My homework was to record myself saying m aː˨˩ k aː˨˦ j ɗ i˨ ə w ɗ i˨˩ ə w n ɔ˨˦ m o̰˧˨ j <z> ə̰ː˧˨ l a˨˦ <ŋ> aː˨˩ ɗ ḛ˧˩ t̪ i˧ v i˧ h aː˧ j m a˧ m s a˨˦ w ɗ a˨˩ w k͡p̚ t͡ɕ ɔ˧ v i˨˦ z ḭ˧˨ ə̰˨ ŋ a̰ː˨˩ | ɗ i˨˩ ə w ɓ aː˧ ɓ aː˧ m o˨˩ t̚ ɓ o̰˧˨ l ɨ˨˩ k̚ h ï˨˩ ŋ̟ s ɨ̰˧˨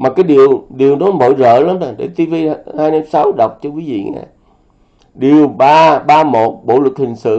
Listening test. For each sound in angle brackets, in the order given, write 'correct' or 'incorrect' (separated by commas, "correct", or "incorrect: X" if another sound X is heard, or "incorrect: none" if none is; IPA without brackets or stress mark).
correct, incorrect: m